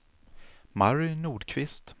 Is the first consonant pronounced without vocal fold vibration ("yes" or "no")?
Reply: no